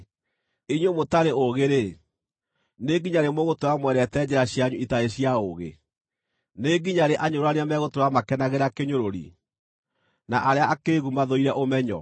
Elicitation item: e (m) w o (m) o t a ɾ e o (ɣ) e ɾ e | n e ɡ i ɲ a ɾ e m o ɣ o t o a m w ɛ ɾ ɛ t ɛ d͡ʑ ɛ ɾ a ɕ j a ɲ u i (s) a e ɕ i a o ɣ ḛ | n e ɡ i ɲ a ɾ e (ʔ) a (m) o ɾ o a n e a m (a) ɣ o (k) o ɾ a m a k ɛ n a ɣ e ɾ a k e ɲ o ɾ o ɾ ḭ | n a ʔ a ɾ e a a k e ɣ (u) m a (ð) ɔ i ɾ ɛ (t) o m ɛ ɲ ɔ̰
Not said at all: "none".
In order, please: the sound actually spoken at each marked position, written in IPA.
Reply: ɲ, m, ɣ, t, ʔ, ɲ, ɛ, t, u, ð, ʔ

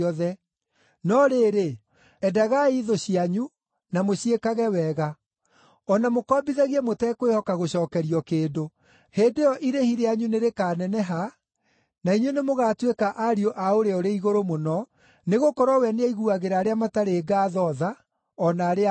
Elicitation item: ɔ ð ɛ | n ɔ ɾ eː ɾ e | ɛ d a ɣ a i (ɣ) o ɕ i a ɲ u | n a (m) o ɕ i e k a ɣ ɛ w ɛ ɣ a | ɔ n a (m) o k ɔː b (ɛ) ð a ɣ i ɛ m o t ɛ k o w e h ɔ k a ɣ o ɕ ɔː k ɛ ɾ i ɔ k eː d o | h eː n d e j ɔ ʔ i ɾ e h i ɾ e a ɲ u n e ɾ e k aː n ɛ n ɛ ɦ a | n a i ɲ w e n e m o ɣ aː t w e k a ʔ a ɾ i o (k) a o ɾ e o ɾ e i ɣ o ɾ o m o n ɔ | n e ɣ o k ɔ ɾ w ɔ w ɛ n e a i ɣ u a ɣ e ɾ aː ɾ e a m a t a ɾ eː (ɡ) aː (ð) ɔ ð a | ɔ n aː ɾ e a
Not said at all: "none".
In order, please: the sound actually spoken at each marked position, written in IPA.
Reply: ð, m, m, i, ʔ, ɡ, ð

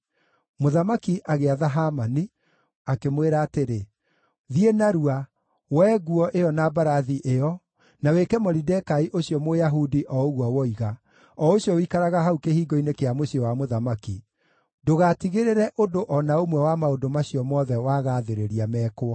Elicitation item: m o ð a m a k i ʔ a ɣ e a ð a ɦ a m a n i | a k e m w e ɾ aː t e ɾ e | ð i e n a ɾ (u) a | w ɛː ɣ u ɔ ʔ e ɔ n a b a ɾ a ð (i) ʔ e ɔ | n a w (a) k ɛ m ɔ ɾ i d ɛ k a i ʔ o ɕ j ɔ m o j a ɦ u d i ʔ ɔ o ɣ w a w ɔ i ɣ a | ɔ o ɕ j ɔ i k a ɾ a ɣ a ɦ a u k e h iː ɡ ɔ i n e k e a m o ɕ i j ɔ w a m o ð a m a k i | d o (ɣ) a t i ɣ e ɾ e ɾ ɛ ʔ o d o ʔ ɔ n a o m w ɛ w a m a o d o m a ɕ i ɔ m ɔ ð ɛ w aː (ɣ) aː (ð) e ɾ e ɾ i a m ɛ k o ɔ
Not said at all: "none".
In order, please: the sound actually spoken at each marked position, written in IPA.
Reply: u, i, e, ɣ, ɣ, ð

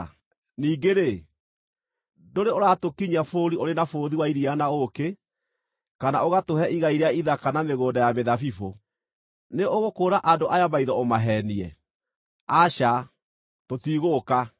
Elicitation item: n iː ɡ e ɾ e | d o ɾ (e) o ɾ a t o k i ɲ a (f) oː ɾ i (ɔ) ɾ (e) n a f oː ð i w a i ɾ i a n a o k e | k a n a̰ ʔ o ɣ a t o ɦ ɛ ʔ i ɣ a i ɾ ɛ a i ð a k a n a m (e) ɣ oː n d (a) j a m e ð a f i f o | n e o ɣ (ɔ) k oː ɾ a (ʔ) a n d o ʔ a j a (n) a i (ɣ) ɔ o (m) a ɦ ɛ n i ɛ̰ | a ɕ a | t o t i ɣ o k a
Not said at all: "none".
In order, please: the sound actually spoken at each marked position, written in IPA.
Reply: e, f, o, e, e, a, o, ʔ, m, ð, m

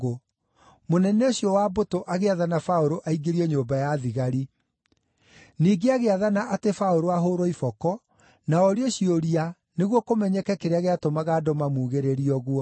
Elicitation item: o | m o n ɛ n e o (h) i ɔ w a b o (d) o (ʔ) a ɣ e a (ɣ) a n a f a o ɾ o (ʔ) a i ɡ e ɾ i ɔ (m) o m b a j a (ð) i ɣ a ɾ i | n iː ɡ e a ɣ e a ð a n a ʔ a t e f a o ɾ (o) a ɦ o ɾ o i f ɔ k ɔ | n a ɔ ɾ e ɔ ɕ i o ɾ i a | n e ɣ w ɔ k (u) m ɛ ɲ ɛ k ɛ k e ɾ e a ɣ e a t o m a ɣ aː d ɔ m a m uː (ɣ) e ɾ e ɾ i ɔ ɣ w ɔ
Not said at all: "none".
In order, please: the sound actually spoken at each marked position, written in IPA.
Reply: ɕ, t, ʔ, ð, ʔ, ɲ, ð, o, o, ɣ

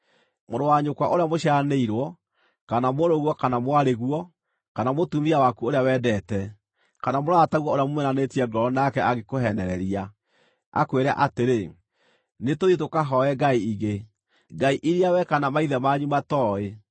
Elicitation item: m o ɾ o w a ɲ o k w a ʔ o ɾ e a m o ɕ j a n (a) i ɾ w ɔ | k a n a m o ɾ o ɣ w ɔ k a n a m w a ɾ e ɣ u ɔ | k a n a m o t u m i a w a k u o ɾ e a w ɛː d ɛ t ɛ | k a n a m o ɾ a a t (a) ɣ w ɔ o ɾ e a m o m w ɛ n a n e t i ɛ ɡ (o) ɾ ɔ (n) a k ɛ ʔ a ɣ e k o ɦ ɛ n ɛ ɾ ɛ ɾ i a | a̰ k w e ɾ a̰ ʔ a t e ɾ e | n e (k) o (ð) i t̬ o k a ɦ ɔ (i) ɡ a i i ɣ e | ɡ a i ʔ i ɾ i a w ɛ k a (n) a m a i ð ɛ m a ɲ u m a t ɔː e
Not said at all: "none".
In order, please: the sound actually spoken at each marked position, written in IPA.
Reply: e, a, ɔ, n, t, ð, ɛ, n

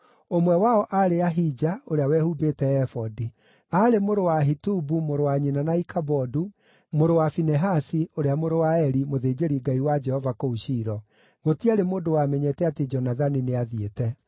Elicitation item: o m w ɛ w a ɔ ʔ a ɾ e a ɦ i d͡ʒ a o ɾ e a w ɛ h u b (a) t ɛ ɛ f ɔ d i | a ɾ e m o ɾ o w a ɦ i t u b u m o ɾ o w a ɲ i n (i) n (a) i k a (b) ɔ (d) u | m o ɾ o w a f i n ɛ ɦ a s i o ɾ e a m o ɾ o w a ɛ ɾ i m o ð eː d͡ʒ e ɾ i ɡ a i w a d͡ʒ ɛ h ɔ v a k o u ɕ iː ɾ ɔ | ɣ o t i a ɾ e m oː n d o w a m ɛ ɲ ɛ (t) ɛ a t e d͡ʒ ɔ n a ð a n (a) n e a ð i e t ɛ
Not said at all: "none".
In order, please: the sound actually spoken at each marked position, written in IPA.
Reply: e, a, a, b, d, t, i

